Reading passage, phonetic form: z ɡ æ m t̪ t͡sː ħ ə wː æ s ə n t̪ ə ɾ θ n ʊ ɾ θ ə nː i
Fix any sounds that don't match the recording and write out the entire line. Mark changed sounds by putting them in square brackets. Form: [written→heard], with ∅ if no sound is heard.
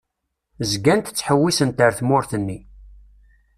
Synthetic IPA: z ɡ æ [m→n] t̪ t͡sː ħ ə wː [æ→i] s ə n t̪ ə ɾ θ [n→m] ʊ ɾ θ ə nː i